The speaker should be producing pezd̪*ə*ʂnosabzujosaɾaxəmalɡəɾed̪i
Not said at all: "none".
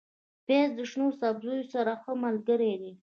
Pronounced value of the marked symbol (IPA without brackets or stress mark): ə